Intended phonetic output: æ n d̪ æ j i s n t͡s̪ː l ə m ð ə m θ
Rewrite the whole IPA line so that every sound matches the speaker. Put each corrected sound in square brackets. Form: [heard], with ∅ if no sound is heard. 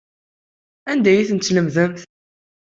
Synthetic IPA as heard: æ n d̪ æ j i [θ] n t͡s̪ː l ə m ð ə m θ